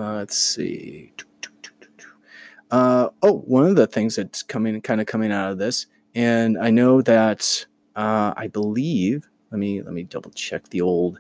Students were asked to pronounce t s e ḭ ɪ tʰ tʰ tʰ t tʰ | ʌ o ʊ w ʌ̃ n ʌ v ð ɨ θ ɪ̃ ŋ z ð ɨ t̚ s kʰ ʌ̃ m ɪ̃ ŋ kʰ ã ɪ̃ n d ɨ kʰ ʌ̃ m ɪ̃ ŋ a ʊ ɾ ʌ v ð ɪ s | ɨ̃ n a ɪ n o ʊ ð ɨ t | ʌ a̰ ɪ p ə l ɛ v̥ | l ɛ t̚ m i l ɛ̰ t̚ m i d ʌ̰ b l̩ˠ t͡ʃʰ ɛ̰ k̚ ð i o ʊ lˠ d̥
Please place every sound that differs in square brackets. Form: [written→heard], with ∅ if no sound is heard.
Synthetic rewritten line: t s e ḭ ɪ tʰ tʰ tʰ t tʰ | ʌ o ʊ w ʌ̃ n ʌ v ð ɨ θ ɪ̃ ŋ z ð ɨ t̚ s kʰ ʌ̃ m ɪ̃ ŋ kʰ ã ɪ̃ n d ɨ kʰ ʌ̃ m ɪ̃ ŋ a ʊ ɾ ʌ v ð ɪ s | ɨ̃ n a ɪ n o ʊ ð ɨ t | ʌ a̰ ɪ [p→b] ə l [ɛ→i] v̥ | l ɛ t̚ m i l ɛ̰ t̚ m i d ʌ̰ b l̩ˠ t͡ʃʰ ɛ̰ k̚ ð i o ʊ lˠ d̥